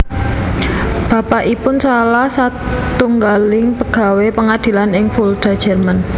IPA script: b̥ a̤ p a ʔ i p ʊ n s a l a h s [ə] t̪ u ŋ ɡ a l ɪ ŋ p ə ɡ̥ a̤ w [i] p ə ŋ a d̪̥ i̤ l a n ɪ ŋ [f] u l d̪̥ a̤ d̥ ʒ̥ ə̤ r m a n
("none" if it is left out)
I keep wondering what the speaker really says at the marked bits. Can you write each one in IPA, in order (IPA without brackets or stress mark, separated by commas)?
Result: a, e, f